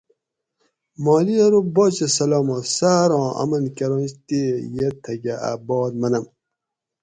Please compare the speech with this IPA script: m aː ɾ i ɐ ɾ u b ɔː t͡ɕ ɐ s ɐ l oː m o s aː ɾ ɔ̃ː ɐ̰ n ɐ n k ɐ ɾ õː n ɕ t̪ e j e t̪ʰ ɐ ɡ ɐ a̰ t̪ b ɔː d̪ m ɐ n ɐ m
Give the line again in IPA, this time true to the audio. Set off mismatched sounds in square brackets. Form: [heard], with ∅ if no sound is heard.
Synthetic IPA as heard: m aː [l] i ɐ ɾ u b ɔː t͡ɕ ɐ s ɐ l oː m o s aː ɾ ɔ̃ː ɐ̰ [m] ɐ n k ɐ ɾ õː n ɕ t̪ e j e t̪ʰ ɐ ɡ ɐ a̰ [∅] b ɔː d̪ m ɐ n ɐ m